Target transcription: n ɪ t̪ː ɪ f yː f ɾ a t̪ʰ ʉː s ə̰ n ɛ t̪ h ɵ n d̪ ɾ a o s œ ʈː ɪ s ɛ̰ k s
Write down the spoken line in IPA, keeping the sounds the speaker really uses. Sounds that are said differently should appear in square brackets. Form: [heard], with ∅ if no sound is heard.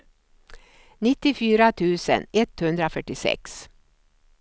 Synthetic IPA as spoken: n ɪ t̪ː ɪ f yː [∅] ɾ a t̪ʰ ʉː s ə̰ n ɛ t̪ h ɵ n d̪ ɾ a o [f] œ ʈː ɪ s ɛ̰ k s